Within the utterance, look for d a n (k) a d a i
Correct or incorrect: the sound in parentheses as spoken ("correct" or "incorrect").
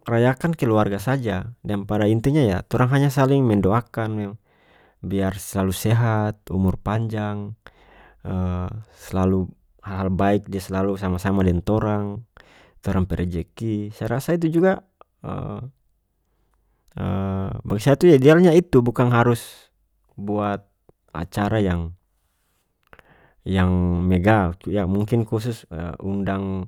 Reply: incorrect